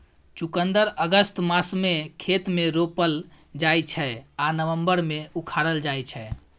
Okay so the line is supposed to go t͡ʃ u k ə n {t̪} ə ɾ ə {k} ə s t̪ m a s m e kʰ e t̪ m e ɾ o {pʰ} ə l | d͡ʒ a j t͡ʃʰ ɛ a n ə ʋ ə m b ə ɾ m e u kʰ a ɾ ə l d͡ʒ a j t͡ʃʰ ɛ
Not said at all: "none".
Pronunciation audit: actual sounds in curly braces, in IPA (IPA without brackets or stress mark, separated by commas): d̪, ɡ, p